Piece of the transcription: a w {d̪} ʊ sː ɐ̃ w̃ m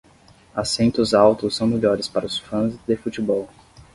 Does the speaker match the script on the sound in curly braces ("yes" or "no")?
no